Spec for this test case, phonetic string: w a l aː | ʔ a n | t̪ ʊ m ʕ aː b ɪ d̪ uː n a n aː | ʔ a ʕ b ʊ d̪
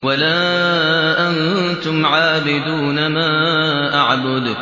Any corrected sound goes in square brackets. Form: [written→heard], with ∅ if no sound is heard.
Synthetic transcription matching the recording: w a l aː | ʔ a n | t̪ ʊ m ʕ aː b ɪ d̪ uː n a [n→m] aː | ʔ a ʕ b ʊ d̪